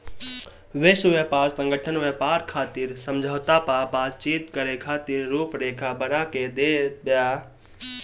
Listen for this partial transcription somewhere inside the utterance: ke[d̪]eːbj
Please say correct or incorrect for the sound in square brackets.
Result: correct